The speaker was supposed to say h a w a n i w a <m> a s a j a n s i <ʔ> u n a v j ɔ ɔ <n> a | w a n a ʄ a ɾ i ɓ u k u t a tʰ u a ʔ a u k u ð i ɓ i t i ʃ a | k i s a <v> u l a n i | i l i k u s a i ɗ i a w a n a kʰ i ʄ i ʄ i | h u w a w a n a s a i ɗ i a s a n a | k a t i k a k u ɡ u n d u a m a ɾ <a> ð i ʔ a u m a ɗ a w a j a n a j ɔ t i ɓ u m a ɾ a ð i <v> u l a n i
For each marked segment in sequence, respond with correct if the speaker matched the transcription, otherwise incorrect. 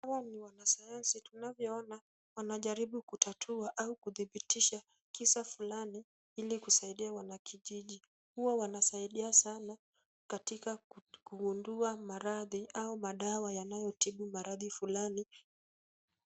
incorrect: n, incorrect: t, correct, incorrect: f, correct, incorrect: f

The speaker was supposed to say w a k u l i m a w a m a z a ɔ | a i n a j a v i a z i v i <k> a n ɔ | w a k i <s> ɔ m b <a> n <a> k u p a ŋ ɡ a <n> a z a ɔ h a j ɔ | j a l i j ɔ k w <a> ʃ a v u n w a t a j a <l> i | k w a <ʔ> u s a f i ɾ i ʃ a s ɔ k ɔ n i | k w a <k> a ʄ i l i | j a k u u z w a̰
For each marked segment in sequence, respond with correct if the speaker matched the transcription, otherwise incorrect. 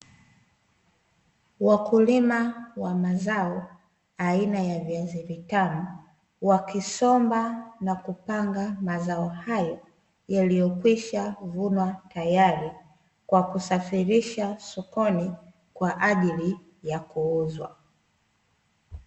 incorrect: t, correct, correct, correct, incorrect: m, incorrect: i, incorrect: ɾ, incorrect: k, incorrect: ʔ

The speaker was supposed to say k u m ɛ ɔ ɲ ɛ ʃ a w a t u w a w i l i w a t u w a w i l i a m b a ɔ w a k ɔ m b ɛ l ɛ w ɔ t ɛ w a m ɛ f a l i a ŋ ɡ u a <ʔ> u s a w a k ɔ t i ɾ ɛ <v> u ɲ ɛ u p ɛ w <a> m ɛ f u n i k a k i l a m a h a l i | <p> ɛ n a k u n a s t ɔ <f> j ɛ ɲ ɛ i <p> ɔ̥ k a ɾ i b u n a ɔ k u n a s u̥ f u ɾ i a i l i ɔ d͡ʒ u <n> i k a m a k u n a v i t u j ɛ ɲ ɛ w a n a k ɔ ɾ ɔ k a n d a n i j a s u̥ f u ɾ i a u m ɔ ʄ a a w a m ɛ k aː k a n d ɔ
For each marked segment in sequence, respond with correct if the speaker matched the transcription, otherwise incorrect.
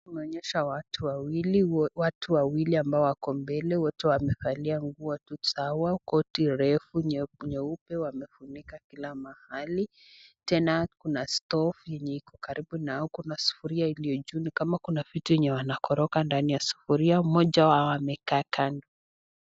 incorrect: t, incorrect: f, correct, incorrect: t, correct, incorrect: k, correct

